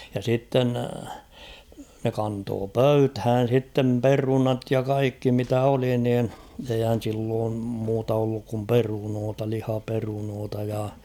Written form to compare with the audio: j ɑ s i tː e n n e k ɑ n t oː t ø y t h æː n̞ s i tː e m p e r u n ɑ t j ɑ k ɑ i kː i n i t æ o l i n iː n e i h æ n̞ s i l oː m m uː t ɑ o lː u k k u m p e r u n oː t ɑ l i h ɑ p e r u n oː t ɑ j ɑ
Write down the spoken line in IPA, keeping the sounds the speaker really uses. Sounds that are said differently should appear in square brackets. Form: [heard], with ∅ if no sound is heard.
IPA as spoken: j ɑ s i tː e n n e k ɑ n t oː [p] ø y t h æː n̞ s i tː e m p e r u n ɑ t j ɑ k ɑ i kː i [m] i t æ o l i n iː n e i h æ n̞ s i [lː] oː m m uː t ɑ o lː u k k u m p e r u n oː t ɑ l i h ɑ p e r u n oː t ɑ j ɑ